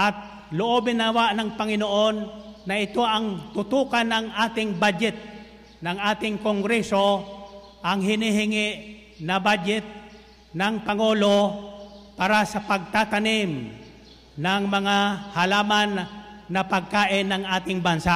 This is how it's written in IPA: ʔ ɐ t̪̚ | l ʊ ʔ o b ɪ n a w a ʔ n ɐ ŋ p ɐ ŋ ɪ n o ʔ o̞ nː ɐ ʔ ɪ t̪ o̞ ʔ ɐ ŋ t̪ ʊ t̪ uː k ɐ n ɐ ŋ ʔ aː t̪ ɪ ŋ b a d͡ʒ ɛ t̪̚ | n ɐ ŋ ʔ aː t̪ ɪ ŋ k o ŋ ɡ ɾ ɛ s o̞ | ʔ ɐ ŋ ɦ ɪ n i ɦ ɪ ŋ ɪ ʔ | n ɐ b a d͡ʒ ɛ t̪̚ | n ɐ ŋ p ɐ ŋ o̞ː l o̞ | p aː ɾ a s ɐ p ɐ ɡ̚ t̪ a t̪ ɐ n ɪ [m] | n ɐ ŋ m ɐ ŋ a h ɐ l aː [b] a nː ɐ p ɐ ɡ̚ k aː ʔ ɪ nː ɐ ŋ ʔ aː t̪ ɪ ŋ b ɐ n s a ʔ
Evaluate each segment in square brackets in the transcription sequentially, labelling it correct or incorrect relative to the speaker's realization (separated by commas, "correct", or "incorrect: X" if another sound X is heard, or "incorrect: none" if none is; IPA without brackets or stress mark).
correct, incorrect: m